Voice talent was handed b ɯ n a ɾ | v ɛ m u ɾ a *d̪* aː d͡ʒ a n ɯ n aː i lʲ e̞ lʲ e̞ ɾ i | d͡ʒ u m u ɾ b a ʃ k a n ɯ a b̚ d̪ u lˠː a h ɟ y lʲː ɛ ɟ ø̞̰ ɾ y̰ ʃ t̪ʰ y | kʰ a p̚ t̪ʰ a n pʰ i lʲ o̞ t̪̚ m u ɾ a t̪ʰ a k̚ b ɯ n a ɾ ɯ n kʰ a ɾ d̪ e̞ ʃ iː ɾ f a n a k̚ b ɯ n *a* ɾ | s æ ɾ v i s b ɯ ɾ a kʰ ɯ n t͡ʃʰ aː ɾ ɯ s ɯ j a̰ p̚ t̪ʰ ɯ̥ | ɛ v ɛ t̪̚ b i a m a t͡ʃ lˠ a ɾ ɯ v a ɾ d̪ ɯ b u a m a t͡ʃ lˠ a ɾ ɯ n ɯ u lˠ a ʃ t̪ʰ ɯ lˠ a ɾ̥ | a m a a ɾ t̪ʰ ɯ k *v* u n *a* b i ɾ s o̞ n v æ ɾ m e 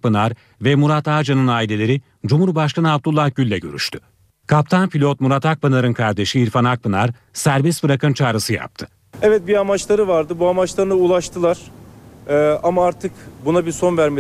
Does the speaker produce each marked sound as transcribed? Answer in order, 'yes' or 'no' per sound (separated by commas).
no, yes, no, yes